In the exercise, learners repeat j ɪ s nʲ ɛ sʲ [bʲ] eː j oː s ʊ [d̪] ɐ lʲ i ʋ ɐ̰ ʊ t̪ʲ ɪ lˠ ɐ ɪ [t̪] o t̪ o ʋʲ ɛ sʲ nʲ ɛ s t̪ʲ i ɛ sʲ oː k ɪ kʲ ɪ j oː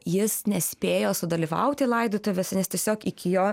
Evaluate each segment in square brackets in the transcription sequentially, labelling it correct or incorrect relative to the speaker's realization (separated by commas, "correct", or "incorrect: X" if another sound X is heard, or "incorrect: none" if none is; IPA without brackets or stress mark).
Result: incorrect: pʲ, correct, incorrect: d̪